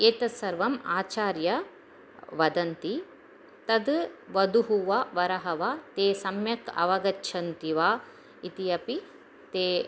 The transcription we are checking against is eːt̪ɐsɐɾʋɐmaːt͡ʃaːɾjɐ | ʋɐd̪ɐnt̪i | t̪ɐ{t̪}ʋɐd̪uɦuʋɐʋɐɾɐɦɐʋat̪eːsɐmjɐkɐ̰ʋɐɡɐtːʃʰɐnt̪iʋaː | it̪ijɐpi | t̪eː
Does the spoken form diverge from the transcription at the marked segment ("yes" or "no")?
yes